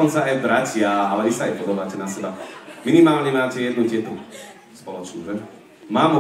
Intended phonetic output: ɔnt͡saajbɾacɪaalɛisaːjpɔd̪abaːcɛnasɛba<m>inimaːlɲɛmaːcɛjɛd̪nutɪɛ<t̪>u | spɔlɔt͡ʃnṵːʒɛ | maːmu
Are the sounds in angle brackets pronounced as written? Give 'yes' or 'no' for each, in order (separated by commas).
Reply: yes, yes